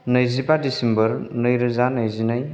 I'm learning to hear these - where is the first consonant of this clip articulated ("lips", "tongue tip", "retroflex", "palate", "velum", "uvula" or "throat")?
tongue tip